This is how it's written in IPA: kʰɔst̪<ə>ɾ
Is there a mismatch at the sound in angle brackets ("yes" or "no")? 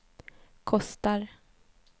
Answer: yes